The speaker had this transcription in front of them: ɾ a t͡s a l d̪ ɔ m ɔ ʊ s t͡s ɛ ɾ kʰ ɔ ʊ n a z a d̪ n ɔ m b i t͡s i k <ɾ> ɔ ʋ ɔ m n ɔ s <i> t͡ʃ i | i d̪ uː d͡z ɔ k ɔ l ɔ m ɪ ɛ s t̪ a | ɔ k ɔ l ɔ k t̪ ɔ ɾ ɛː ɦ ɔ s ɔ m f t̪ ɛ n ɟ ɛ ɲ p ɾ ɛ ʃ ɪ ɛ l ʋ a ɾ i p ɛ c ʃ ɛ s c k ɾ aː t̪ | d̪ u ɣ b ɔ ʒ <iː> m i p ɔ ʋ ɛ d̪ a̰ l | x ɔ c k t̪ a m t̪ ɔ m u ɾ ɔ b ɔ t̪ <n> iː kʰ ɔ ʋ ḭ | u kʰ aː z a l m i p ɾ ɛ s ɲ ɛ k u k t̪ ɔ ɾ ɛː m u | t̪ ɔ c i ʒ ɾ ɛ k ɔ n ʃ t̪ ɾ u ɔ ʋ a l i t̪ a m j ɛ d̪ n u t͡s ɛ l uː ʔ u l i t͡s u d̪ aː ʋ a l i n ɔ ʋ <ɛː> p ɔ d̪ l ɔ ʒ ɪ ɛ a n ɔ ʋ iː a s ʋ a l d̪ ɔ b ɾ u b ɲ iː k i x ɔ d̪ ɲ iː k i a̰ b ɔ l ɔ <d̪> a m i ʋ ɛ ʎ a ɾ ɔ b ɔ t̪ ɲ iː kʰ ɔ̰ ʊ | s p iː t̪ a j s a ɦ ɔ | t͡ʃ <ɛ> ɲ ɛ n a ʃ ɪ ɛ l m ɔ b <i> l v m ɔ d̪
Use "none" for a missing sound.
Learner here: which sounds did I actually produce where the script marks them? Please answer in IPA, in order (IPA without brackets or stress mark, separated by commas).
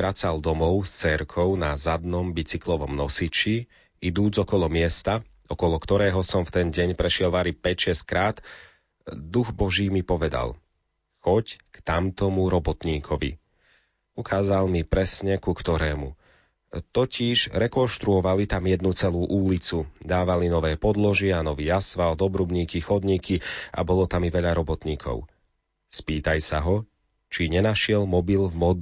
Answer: l, i, iː, ɲ, ɛː, t̪, i, i